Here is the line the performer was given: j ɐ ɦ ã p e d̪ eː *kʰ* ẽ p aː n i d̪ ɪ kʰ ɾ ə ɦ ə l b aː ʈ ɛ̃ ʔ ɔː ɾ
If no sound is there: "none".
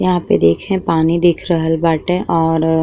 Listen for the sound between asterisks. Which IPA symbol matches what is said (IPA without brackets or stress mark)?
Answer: kʰ